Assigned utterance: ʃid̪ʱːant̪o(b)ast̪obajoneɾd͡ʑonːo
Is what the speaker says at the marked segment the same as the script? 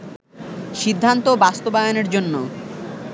yes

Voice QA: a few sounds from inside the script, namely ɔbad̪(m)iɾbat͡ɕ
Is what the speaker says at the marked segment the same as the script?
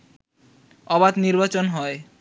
no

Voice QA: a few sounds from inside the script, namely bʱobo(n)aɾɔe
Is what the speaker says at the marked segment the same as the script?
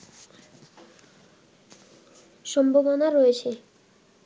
yes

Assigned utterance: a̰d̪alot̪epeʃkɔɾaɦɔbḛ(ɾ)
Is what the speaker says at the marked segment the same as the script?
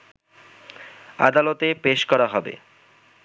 no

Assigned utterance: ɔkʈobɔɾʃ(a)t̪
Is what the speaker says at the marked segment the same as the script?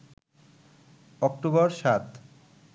yes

